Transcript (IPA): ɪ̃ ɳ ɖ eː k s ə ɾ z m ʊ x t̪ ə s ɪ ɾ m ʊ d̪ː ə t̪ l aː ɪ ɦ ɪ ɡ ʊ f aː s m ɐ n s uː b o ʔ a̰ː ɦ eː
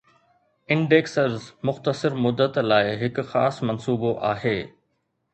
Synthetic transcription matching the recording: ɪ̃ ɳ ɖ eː k s ə ɾ z m ʊ x t̪ ə s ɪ ɾ m ʊ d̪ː ə t̪ l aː ɪ ɦ ɪ k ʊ x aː s m ɐ n s uː b o ʔ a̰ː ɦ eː